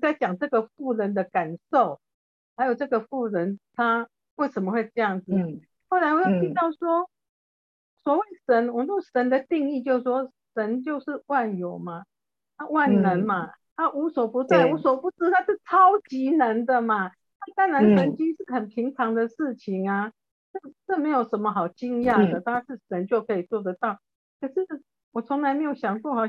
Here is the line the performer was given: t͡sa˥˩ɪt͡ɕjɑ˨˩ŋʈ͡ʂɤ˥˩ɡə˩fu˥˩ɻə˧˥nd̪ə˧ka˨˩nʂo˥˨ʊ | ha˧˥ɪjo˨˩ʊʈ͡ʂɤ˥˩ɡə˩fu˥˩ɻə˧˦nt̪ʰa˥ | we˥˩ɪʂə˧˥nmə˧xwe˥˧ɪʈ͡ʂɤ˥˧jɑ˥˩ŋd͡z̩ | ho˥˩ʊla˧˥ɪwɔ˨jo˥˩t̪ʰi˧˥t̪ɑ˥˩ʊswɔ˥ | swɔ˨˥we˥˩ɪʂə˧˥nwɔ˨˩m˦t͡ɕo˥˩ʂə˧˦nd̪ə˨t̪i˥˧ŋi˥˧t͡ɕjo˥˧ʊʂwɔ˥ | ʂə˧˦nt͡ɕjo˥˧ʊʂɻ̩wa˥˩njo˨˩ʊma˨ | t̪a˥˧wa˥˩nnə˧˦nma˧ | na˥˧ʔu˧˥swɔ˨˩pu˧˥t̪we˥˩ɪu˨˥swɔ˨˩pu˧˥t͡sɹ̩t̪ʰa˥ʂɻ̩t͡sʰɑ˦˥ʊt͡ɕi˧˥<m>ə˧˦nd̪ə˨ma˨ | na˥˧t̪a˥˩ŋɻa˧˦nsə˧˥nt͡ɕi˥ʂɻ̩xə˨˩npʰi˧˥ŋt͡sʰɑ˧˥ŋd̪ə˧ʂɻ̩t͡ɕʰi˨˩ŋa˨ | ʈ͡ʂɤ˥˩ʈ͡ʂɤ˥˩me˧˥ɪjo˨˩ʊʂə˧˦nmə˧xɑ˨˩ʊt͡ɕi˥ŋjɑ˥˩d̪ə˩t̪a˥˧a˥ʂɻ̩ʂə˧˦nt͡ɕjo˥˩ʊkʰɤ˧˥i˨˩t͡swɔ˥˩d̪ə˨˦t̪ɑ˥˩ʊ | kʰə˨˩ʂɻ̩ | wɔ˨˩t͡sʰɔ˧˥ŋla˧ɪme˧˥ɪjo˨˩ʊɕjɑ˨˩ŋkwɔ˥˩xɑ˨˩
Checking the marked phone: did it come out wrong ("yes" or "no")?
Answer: yes